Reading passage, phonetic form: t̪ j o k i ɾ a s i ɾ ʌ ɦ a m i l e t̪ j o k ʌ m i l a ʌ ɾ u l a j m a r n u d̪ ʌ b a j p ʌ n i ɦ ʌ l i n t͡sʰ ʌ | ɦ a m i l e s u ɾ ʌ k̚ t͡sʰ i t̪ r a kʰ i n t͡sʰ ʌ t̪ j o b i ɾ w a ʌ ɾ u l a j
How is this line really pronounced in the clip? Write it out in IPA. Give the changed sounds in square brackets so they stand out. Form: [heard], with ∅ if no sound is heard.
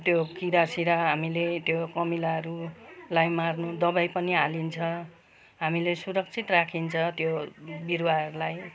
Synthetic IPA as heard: t̪ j o k i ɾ a s i ɾ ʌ ɦ a m i l e t̪ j o k ʌ m i l a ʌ ɾ u l a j m a r n u d̪ ʌ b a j p ʌ n i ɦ [a] l i n t͡sʰ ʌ | ɦ a m i l e s u ɾ ʌ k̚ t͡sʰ i t̪ r a kʰ i n t͡sʰ ʌ t̪ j o b i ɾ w a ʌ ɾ u l a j